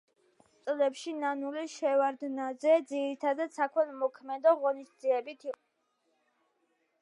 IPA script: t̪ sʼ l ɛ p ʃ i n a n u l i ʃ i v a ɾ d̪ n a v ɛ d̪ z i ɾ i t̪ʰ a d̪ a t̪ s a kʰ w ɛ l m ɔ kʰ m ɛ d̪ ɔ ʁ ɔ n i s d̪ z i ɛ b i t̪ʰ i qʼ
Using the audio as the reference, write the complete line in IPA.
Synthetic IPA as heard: t̪ sʼ l ɛ p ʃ i n a n u l i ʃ ɛ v a ɾ d̪ n a z ɛ d̪ z i ɾ i t̪ʰ a d̪ a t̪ s a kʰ w ɛ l m ɔ kʰ m ɛ d̪ ɔ ʁ ɔ n i s d̪ z i ɛ b i t̪ʰ i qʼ

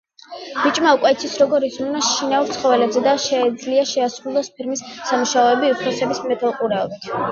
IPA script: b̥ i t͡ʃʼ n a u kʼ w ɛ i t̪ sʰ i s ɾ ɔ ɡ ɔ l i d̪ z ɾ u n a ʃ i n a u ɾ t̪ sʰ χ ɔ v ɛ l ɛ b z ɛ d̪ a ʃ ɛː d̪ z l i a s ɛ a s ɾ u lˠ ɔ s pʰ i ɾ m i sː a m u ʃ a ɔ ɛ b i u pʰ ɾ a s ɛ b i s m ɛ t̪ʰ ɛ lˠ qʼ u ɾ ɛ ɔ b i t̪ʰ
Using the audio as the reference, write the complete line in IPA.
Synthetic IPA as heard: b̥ i t͡ʃʼ m a u kʼ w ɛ i t̪ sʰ i s ɾ ɔ ɡ ɔ ɾ i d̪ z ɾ u n a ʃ i n a u ɾ t̪ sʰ χ ɔ v ɛ l ɛ b z ɛ d̪ a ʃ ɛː d̪ z l i a ʃ ɛ a s ɾ u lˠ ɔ s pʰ i ɾ m i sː a m u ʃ a ɔ ɛ b i u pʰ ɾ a s ɛ b i s m ɛ t̪ʰ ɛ lˠ qʼ u ɾ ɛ ɔ b i t̪ʰ

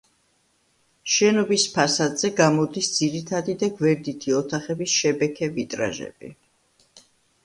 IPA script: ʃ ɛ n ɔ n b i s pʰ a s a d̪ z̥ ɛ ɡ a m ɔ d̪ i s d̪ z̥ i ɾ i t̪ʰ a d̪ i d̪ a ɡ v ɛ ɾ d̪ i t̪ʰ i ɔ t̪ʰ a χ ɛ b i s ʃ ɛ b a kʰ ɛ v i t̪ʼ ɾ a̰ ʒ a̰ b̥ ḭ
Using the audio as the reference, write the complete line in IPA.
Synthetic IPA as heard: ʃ ɛ n ɔ b i s pʰ a s a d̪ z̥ ɛ ɡ a m ɔ d̪ i s d̪ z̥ i ɾ i t̪ʰ a d̪ i d̪ a ɡ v ɛ ɾ d̪ i t̪ʰ i ɔ t̪ʰ a χ ɛ b i s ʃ ɛ b ɛ kʰ ɛ v i t̪ʼ ɾ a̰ ʒ ɛ̰ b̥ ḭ

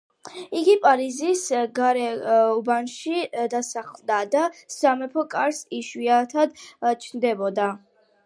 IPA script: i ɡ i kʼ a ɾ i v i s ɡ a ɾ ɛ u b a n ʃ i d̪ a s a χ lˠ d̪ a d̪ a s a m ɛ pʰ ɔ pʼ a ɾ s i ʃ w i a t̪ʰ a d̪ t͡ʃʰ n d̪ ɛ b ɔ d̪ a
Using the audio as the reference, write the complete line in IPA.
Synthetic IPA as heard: i ɡ i pʼ a ɾ i z i s ɡ a ɾ ɛ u b a n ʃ i d̪ a s a χ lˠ d̪ a d̪ a s a m ɛ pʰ ɔ kʼ a ɾ s i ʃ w i a t̪ʰ a d̪ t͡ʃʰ n d̪ ɛ b ɔ d̪ a

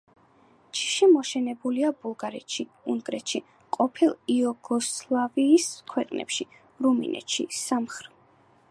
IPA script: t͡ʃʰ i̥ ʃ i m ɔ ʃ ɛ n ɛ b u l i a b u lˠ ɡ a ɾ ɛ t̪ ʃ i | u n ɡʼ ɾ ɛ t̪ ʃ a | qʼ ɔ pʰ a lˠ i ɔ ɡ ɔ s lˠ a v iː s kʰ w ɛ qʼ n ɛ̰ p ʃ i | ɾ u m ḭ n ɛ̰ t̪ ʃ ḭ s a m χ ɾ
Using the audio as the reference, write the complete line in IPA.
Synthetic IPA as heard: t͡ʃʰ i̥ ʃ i m ɔ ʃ ɛ n ɛ b u l i a b u lˠ ɡ a ɾ ɛ t̪ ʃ i | u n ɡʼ ɾ ɛ t̪ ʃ i | qʼ ɔ pʰ i lˠ i ɔ ɡ ɔ s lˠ a v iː s kʰ w ɛ qʼ n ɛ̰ p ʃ i | ɾ u m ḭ n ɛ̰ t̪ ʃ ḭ s a m χ ɾ

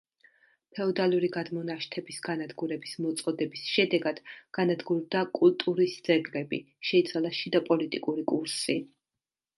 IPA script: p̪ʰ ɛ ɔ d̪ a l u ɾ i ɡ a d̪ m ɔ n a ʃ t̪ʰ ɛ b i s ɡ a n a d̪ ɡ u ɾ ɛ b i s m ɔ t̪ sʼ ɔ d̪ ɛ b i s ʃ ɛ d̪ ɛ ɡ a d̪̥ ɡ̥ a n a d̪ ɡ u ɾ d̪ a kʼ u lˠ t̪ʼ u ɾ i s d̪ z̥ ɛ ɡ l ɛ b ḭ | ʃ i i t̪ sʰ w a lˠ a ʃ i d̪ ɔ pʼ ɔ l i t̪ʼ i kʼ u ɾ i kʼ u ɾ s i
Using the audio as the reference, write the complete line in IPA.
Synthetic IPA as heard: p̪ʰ ɛ ɔ d̪ a l u ɾ i ɡ a d̪ m ɔ n a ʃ t̪ʰ ɛ b i s ɡ a n a d̪ ɡ u ɾ ɛ b i s m ɔ t̪ sʼ ɔ d̪ ɛ b i s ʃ ɛ d̪ ɛ ɡ a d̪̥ ɡ̥ a n a d̪ ɡ u ɾ d̪ a kʼ u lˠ t̪ʼ u ɾ i s d̪ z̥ ɛ ɡ l ɛ b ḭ | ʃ ɛ i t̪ sʰ w a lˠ a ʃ i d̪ ɔ pʼ ɔ l i t̪ʼ i kʼ u ɾ i kʼ u ɾ s i

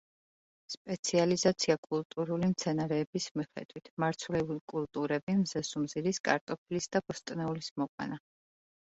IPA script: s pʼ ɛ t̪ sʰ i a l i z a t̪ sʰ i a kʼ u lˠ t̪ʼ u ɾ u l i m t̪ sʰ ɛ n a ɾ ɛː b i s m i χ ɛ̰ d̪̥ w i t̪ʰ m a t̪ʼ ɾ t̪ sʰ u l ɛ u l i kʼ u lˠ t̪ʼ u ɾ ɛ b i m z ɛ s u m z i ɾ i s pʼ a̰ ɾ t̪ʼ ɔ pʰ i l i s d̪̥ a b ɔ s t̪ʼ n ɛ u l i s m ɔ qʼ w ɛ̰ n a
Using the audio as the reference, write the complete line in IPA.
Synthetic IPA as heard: s pʼ ɛ t̪ sʰ i a l i z a t̪ sʰ i a kʼ u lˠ t̪ʼ u ɾ u l i m t̪ sʰ ɛ n a ɾ ɛː b i s m i χ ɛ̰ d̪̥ w i t̪ʰ m a ɾ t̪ sʰ u l ɛ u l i kʼ u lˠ t̪ʼ u ɾ ɛ b i m z ɛ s u m z i ɾ i s kʼ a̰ ɾ t̪ʼ ɔ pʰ i l i s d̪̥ a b ɔ s t̪ʼ n ɛ u l i s m ɔ qʼ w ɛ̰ n a

